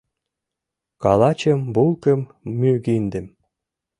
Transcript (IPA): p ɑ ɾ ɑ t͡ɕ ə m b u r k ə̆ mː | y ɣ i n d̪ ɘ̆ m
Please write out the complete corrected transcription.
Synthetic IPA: k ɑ l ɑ t͡ɕ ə m b u l k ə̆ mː | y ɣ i n d̪ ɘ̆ m